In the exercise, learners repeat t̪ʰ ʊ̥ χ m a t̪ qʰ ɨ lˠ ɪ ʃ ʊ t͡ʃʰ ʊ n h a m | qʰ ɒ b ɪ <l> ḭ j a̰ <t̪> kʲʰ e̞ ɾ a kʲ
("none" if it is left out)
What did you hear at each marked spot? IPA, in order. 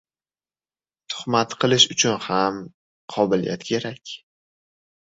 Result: l, t̪

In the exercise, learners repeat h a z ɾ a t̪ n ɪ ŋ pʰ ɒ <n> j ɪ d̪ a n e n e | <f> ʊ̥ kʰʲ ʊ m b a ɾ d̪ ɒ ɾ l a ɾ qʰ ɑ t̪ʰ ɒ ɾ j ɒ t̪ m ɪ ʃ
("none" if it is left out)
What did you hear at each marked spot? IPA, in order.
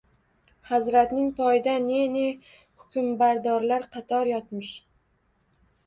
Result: none, h

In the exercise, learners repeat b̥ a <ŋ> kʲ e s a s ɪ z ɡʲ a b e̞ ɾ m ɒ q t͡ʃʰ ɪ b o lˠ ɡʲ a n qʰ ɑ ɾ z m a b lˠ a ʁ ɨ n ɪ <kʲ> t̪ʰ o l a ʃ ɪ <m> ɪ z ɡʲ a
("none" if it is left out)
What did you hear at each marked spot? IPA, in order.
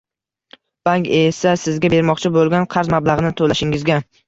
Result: ŋ, none, ŋ

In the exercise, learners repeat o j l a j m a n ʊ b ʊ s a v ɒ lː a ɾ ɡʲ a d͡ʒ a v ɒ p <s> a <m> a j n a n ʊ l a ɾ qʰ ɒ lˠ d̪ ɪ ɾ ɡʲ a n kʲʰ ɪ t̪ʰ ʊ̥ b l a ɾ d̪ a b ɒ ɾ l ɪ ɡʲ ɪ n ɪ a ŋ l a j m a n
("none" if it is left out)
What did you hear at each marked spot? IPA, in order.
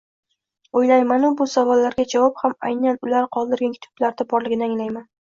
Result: h, m

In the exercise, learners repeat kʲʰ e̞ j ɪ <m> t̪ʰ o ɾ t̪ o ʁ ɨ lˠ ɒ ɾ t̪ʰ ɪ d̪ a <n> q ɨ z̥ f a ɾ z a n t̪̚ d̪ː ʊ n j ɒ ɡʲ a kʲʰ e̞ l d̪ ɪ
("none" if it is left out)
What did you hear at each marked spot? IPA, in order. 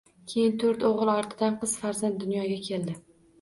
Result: n, n

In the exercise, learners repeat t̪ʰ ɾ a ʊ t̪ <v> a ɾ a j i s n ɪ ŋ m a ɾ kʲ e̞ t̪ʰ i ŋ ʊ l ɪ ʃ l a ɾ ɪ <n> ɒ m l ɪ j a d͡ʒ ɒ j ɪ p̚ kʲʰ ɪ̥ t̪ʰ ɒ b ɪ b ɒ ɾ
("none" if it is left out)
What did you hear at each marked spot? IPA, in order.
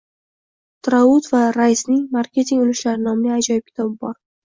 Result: v, n

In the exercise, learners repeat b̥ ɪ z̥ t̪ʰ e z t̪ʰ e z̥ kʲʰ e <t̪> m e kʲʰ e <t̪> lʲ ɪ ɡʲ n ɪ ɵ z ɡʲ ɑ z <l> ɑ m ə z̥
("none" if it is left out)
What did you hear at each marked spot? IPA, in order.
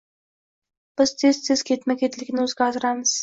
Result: t̪, t̪, ɾ

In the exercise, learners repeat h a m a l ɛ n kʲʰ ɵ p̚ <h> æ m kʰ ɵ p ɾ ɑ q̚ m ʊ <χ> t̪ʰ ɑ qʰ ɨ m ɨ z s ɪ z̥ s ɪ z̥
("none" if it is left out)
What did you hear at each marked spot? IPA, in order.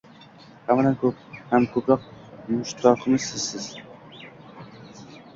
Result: h, ʃ

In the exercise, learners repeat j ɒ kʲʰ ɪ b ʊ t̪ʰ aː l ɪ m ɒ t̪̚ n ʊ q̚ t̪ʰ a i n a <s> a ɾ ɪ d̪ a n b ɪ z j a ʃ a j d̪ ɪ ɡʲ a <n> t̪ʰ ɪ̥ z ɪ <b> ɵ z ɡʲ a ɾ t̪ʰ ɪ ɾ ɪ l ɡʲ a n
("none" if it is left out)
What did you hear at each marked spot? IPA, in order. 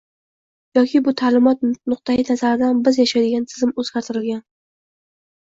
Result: z, n, m

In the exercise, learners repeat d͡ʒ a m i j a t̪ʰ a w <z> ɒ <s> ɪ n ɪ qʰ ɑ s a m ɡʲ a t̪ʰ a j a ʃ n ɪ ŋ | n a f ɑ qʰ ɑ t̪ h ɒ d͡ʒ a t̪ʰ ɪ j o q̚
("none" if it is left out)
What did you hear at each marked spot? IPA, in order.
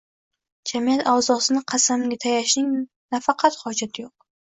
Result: z, s

